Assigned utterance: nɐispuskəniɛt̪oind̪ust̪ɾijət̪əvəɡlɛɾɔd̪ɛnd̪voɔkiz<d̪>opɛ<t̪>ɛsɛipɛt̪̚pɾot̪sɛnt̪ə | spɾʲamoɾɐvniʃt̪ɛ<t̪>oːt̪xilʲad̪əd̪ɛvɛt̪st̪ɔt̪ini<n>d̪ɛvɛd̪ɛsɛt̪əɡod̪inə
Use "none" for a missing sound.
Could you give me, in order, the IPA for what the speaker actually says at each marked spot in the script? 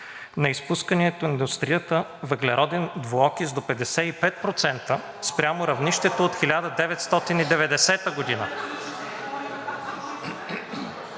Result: d̪, d̪, t̪, none

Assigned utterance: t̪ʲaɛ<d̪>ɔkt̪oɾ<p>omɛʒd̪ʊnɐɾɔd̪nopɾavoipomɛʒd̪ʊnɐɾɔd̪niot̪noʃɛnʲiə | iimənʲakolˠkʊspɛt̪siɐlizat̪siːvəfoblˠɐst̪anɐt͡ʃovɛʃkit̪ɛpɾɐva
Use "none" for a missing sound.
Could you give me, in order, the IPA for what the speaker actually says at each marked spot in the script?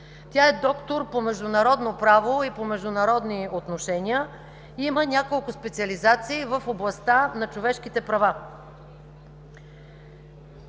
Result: d̪, p

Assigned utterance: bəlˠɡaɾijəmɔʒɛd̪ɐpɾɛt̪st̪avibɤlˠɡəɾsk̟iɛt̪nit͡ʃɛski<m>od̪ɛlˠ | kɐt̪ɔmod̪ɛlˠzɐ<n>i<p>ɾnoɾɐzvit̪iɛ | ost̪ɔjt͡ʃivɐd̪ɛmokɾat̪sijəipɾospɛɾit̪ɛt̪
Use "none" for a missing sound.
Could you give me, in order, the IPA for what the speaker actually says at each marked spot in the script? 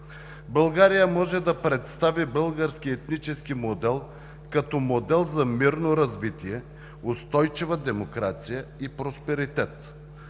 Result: m, m, none

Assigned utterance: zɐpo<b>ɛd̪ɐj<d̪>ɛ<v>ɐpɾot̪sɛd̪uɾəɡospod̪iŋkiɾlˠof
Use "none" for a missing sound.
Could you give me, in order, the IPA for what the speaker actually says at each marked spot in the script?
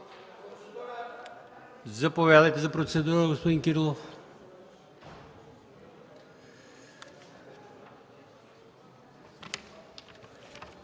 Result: v, t̪, z

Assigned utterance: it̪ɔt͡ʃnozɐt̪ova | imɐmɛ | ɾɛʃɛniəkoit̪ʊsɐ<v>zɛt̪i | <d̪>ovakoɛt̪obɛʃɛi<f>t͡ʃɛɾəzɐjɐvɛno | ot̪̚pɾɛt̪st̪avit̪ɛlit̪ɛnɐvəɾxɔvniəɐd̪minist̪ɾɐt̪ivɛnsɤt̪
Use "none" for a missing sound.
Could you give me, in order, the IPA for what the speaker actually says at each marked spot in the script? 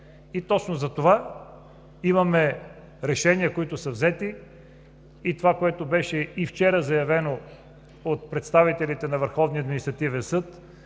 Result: v, t̪, f

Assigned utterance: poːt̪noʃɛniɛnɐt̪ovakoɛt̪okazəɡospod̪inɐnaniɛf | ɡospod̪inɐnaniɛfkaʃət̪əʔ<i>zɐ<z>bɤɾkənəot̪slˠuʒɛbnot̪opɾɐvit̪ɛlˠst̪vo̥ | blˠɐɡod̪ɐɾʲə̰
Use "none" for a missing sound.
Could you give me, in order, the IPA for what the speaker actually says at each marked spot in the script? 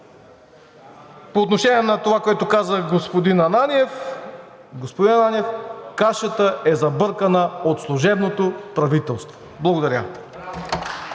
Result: ɛ, none

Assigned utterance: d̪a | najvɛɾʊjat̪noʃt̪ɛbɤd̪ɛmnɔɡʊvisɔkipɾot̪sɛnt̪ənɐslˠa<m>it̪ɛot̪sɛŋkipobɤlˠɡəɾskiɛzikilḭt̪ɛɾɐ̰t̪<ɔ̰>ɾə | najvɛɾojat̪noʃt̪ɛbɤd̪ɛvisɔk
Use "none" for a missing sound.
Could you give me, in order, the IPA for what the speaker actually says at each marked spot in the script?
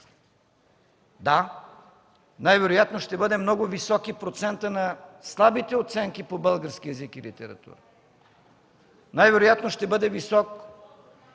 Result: b, ṵ

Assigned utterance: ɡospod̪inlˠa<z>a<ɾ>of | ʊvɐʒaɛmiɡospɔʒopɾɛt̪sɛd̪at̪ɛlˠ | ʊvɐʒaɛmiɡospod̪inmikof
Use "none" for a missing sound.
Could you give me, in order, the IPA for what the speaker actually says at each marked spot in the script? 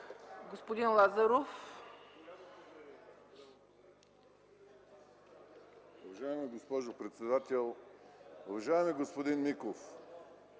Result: z, ɾ

